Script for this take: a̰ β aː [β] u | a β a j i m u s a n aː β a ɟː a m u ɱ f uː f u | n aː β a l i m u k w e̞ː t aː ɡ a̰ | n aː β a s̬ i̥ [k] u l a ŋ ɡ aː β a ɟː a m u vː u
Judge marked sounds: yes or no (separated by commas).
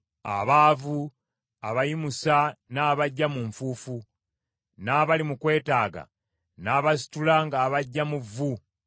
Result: no, no